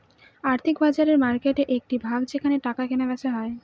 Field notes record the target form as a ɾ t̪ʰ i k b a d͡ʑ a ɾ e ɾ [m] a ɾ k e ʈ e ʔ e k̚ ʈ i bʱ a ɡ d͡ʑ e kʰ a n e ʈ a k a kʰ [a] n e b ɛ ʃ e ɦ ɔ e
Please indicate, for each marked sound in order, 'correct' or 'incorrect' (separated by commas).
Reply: correct, incorrect